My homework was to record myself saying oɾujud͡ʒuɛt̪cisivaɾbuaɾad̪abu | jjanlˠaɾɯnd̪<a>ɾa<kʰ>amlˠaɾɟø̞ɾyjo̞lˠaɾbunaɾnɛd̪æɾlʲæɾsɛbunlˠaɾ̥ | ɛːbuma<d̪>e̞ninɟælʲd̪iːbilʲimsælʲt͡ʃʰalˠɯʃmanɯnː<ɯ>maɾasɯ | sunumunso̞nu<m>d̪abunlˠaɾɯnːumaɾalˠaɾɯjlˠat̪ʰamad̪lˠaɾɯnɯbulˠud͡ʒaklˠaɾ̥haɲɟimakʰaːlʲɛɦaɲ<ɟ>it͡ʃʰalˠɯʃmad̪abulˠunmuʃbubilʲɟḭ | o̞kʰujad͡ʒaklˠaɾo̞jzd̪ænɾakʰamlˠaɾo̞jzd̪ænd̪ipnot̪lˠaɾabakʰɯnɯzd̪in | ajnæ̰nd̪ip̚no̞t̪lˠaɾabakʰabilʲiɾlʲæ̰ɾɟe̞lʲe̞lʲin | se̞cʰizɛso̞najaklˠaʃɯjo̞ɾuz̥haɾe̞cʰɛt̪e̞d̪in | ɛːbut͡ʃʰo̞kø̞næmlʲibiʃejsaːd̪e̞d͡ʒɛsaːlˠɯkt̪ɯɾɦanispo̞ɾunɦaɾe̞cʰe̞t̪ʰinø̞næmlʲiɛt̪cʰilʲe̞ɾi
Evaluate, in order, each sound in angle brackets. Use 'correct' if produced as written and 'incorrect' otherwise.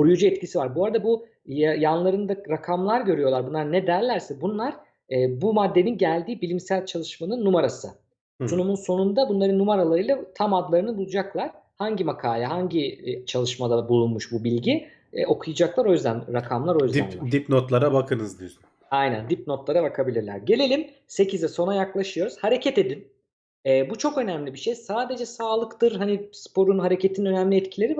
correct, correct, incorrect: d̪ː, incorrect: u, incorrect: n, correct

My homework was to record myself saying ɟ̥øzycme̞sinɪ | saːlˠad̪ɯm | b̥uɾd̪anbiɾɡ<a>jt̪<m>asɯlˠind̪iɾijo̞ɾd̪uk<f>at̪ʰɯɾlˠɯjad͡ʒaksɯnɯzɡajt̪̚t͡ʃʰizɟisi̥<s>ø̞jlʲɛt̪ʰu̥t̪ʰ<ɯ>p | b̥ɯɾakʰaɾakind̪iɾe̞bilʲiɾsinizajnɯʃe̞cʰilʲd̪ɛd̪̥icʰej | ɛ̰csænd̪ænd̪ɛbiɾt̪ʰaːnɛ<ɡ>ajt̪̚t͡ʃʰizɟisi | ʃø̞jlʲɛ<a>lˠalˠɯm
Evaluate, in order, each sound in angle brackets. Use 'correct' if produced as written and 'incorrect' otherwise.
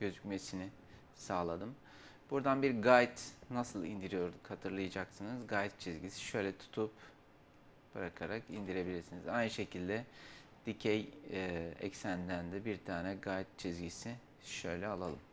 correct, incorrect: n, incorrect: h, incorrect: ʃ, incorrect: u, correct, correct

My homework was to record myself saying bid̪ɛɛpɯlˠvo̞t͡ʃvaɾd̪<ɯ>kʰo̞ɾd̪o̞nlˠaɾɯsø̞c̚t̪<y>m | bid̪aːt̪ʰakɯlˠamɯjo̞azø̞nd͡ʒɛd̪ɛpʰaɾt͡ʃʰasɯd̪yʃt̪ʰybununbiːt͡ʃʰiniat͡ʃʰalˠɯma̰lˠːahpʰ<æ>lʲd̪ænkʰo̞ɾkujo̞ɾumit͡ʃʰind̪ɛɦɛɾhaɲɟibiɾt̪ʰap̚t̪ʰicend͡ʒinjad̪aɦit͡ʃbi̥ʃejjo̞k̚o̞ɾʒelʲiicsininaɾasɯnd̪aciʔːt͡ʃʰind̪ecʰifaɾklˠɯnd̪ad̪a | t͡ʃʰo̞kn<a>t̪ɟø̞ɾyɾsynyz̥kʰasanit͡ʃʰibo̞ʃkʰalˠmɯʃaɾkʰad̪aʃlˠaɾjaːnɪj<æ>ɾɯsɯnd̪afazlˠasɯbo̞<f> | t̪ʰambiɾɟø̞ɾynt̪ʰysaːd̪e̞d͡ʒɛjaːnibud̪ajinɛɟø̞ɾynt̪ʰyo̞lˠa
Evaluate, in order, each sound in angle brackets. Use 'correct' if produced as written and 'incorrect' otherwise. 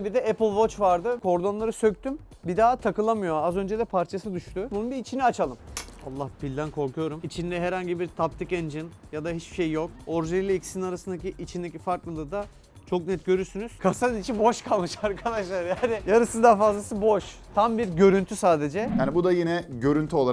correct, correct, incorrect: i, incorrect: ɛ, incorrect: a, incorrect: ʃ

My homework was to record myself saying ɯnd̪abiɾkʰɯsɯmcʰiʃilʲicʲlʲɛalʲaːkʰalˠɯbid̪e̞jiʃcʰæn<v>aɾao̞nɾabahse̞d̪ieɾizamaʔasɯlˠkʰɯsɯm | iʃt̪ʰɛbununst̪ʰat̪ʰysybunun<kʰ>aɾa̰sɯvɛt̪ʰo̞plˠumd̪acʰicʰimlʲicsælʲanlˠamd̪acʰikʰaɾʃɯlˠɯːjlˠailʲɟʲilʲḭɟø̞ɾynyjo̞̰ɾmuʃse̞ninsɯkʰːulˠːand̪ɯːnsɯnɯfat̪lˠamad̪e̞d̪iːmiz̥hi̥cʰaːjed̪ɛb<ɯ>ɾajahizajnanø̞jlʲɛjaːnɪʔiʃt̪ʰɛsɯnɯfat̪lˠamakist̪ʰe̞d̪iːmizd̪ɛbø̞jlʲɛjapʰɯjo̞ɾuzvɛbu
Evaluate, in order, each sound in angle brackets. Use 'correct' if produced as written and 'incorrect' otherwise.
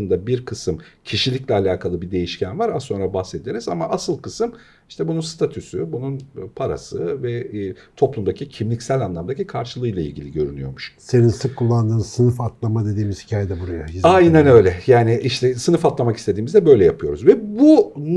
correct, incorrect: pʰ, incorrect: u

